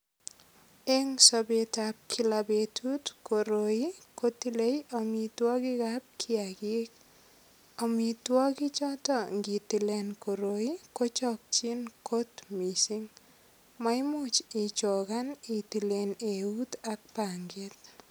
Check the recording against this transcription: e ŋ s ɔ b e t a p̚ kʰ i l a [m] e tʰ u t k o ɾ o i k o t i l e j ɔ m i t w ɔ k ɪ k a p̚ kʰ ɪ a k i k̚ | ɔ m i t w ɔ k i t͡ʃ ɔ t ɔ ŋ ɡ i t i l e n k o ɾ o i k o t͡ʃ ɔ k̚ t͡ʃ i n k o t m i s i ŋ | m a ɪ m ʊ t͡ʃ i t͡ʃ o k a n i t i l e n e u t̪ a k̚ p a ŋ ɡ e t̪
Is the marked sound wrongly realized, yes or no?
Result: yes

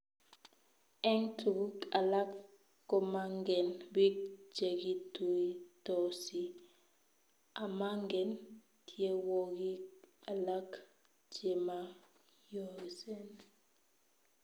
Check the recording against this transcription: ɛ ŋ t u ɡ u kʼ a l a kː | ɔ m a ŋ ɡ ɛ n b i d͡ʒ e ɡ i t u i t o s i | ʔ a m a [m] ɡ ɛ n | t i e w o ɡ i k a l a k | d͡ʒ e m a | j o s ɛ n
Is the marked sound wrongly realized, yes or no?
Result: yes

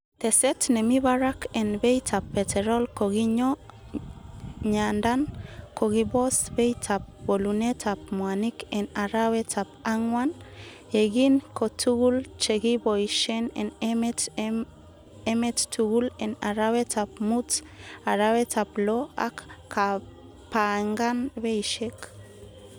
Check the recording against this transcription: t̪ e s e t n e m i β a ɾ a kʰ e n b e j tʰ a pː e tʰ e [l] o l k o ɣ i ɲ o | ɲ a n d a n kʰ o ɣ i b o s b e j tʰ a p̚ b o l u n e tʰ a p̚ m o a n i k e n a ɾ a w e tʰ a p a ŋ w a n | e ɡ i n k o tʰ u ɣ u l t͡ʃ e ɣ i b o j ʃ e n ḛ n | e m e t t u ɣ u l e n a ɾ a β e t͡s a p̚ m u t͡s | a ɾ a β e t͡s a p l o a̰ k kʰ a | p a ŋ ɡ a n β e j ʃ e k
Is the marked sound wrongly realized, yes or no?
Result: yes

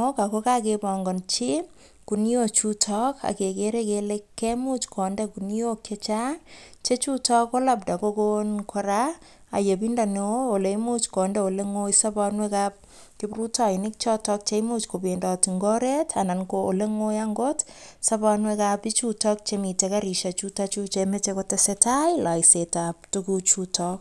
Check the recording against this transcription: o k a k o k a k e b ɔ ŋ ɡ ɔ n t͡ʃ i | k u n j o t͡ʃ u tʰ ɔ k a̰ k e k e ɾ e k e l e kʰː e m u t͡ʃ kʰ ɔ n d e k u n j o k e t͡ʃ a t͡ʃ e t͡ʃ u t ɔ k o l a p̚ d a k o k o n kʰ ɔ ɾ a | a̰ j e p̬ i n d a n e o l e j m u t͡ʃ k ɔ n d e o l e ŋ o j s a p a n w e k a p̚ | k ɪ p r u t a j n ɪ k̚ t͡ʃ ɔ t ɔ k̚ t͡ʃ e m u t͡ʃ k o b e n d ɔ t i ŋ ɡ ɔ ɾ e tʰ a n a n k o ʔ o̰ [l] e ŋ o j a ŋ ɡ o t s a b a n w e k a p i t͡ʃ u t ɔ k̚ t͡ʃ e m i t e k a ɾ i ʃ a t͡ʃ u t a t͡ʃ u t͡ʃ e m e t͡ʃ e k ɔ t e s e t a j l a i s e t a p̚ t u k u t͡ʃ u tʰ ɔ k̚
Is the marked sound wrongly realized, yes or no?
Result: no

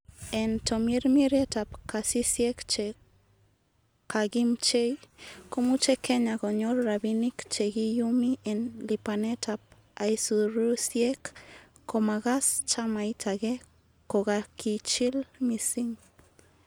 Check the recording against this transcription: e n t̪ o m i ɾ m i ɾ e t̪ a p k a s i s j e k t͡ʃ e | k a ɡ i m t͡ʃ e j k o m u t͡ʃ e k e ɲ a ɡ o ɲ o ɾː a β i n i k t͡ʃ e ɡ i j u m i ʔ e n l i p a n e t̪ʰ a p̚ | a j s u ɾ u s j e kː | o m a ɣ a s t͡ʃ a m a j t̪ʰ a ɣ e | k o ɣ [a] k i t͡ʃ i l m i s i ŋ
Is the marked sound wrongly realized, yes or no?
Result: no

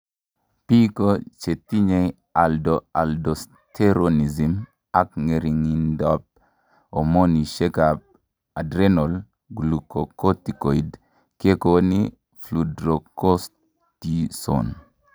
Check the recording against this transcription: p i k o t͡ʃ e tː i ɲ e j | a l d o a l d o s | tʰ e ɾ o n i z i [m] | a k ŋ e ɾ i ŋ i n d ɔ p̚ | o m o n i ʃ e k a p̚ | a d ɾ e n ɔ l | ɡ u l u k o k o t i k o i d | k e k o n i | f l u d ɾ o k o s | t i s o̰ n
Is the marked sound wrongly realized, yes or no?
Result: no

